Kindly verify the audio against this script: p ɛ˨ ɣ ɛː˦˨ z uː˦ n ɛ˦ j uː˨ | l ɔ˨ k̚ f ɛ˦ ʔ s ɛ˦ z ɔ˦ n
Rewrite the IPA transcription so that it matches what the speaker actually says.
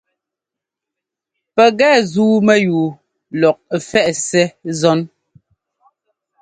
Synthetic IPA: p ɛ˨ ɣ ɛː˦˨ z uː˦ m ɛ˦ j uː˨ | l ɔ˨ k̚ f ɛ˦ ʔ s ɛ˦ z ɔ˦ n